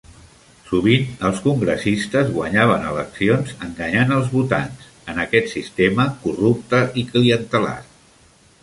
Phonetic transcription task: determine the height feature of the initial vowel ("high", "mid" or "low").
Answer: high